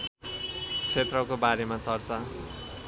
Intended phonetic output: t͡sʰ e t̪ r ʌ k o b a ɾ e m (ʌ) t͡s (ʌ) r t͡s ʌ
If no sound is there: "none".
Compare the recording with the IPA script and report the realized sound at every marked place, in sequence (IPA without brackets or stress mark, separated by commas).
a, ʌ